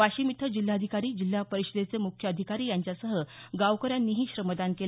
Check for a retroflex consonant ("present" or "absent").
absent